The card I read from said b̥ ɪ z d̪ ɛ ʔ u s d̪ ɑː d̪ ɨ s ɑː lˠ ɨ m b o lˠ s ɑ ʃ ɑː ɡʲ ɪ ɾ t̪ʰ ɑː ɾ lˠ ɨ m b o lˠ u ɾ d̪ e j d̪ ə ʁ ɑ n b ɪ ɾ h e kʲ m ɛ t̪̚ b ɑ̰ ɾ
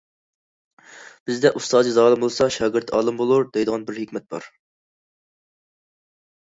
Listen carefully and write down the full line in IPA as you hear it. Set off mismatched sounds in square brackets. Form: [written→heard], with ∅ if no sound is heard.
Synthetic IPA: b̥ ɪ z d̪ ɛ ʔ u s [d̪→t̪] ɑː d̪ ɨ [s→z] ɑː lˠ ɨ m b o lˠ s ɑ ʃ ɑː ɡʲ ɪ ɾ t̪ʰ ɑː [ɾ→∅] lˠ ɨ m b o lˠ u ɾ d̪ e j d̪ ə ʁ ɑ n b ɪ ɾ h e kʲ m ɛ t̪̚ b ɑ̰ ɾ